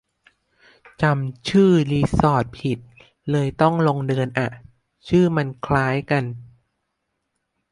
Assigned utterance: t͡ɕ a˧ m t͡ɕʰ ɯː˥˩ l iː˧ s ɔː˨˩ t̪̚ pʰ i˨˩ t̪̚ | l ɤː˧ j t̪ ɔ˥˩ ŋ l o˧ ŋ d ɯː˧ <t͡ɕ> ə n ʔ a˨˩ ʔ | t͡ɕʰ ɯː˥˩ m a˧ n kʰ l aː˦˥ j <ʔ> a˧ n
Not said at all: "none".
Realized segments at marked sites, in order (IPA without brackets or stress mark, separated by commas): none, k